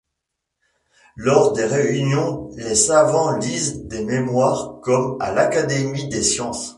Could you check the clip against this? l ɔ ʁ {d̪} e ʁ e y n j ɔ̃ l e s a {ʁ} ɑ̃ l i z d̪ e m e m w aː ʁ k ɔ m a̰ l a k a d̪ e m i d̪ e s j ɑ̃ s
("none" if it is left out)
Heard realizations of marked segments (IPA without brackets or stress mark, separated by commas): d̪, v